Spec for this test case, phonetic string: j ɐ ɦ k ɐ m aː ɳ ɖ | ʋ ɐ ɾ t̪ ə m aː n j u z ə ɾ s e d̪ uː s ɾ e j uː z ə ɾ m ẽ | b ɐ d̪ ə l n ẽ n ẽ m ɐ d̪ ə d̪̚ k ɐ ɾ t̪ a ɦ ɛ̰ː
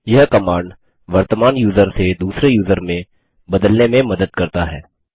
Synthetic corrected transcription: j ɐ ɦ k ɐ m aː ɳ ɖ | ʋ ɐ ɾ t̪ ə m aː n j uː z ə ɾ s e d̪ uː s ɾ e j uː z ə ɾ m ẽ | b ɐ d̪ ə l n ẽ m ẽ m ɐ d̪ ə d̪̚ k ɐ ɾ t̪ a ɦ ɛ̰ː